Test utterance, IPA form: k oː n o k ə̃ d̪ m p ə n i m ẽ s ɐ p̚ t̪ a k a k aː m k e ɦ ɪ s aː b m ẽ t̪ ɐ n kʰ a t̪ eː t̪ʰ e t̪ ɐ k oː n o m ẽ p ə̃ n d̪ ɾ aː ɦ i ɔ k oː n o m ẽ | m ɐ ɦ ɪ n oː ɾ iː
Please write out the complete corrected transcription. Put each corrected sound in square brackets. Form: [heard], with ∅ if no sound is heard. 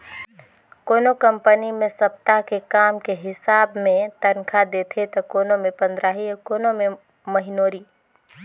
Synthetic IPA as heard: k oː n o k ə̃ [∅] m p ə n i m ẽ s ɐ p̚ t̪ a k [e] k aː m k e ɦ ɪ s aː b m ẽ t̪ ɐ n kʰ a [d̪] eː t̪ʰ e t̪ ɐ k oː n o m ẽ p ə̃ n d̪ ɾ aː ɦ i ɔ k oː n o m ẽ | m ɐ ɦ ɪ n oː ɾ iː